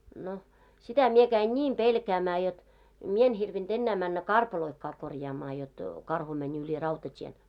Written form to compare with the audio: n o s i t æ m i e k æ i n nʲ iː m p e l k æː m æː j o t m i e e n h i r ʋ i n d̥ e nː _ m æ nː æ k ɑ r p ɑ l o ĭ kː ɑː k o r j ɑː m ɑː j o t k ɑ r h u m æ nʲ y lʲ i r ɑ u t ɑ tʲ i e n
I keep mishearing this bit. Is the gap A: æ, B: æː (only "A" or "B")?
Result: B